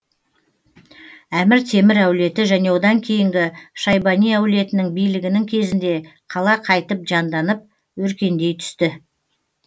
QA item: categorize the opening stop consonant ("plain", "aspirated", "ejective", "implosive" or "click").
aspirated